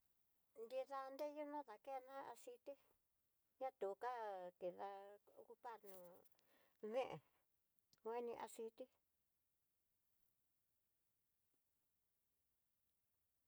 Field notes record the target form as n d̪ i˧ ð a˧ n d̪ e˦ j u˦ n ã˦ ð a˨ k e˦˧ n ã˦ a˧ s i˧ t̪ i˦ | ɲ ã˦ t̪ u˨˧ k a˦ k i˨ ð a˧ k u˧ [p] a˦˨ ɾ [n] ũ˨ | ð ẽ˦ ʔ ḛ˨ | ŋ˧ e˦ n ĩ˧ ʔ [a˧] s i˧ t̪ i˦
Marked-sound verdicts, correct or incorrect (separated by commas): correct, correct, correct